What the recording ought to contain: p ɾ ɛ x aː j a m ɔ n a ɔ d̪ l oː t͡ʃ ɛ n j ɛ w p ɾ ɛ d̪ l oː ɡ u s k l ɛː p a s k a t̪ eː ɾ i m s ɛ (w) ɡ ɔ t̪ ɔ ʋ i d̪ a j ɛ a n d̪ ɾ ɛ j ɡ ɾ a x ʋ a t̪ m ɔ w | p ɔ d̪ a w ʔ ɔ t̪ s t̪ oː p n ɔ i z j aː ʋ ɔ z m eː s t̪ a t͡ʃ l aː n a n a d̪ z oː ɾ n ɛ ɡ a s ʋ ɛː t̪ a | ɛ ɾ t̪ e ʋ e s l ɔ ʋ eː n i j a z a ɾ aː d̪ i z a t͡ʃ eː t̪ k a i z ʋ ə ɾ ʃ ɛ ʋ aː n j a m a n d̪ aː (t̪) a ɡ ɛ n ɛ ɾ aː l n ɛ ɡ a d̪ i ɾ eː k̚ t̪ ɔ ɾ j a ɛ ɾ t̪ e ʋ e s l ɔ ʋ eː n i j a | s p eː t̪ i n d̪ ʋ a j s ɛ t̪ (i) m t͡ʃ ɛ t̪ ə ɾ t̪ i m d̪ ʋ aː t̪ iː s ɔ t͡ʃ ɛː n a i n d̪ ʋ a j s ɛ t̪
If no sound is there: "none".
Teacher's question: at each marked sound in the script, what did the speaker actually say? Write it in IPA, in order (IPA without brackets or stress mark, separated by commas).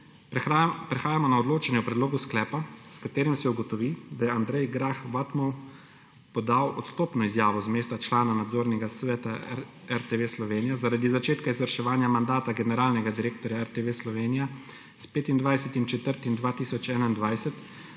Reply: u, t̪, i